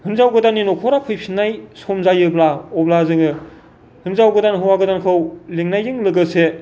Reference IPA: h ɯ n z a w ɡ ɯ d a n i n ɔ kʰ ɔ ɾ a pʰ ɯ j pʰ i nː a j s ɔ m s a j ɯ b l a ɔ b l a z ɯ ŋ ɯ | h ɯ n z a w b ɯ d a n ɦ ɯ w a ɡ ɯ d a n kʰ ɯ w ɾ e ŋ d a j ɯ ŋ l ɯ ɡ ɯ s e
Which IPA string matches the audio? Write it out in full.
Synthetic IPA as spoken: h ɯ n z a w ɡ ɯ d a n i n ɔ kʰ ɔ ɾ a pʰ ɯ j pʰ i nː a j s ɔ m z a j ɯ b l a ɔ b l a z ɯ ŋ ɯ | h ɯ n z a w ɡ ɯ d a n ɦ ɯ w a ɡ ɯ d a n kʰ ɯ w l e ŋ n a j ɯ ŋ l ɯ ɡ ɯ s e